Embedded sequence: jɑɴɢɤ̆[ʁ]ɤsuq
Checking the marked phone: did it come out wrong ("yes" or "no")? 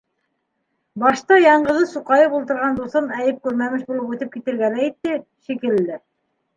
yes